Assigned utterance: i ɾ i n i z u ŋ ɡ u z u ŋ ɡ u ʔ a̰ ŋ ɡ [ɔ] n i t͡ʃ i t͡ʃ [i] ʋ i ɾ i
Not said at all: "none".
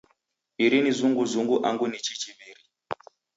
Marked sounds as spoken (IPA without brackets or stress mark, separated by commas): u, i